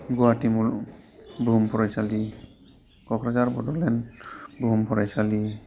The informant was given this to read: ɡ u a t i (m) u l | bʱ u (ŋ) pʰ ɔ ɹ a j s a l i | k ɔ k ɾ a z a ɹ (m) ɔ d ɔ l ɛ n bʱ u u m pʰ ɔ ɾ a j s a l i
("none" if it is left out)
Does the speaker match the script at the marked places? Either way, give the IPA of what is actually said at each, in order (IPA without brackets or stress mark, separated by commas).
m, m, b